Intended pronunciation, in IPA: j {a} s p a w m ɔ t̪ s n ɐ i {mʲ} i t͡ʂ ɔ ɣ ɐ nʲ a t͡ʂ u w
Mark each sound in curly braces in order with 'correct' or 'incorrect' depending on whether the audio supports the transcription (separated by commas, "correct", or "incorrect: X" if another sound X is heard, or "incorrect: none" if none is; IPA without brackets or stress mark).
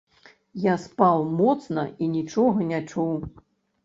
correct, incorrect: nʲ